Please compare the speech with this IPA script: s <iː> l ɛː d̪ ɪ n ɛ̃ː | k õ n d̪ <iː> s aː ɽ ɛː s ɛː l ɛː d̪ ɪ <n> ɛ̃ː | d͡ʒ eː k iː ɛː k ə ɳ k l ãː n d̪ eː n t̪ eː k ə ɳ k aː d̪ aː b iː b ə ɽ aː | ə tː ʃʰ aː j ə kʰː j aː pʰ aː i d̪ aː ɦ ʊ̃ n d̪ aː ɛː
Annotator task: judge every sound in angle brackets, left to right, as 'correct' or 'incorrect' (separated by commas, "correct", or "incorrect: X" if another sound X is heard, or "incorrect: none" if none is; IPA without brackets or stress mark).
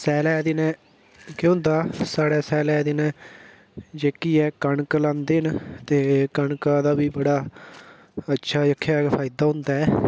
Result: incorrect: ɛː, incorrect: aː, correct